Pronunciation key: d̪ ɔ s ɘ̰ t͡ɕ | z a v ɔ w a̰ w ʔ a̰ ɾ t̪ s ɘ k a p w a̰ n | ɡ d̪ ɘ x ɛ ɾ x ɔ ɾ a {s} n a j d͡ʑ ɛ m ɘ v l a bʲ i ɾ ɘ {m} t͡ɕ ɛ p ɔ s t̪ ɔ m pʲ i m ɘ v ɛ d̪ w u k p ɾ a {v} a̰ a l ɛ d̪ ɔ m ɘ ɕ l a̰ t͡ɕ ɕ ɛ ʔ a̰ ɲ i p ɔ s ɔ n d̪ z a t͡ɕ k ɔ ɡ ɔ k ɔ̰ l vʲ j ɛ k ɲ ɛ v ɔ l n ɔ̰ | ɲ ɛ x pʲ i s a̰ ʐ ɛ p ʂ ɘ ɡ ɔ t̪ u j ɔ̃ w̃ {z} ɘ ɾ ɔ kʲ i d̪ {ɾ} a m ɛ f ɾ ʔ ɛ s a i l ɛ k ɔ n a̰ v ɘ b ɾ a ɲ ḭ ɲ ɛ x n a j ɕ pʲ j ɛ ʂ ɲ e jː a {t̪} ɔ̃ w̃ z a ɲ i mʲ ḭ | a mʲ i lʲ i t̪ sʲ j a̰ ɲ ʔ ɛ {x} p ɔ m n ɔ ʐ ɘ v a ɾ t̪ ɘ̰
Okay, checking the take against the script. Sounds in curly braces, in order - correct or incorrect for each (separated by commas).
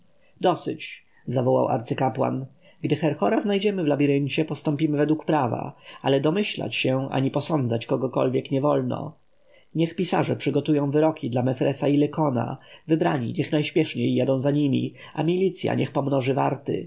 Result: incorrect, incorrect, correct, incorrect, incorrect, incorrect, correct